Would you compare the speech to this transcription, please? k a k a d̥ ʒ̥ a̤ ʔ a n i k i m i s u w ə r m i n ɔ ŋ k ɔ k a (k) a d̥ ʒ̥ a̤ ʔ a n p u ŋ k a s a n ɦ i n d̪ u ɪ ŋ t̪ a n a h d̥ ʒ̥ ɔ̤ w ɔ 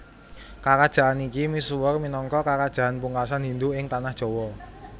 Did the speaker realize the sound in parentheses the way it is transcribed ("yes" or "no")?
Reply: yes